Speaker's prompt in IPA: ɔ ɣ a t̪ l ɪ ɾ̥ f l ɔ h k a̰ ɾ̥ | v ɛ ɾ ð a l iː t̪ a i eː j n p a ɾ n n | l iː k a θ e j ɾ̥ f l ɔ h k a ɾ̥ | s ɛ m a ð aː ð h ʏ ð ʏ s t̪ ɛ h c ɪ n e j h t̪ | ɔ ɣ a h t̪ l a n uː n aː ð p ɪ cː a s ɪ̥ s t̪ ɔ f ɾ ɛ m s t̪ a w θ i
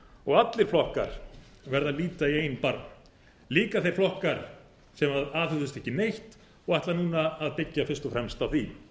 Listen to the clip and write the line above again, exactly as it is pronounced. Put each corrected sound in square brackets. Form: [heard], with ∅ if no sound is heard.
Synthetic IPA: ɔ ɣ a t̪ l ɪ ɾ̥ f l ɔ h k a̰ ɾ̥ | v ɛ ɾ ð a l iː t̪ a i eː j n p a ɾ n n | l iː k a θ e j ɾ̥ f l ɔ h k a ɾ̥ | s ɛ m a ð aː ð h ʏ ð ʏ s t̪ ɛ h c ɪ n e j h t̪ | ɔ ɣ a h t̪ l a n uː n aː ð p ɪ cː a [f] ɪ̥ s t̪ ɔ f ɾ ɛ m s t̪ a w θ i